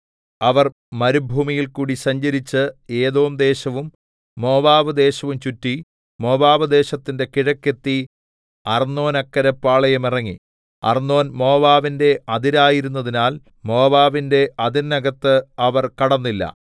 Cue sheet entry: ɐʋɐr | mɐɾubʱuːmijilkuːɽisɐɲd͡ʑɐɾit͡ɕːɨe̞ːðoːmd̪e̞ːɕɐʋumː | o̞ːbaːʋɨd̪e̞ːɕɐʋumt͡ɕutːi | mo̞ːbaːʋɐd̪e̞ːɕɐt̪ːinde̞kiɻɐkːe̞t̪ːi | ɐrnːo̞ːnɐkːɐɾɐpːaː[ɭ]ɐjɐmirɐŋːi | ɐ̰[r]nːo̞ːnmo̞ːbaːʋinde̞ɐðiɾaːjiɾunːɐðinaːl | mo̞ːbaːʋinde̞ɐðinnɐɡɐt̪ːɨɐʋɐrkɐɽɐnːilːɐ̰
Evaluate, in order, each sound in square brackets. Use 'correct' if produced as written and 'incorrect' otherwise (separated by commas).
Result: correct, correct